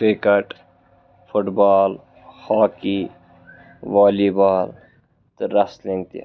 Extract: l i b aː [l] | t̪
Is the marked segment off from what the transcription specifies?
no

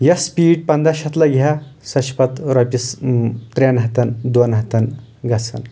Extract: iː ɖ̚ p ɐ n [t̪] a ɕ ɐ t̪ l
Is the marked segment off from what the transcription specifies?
yes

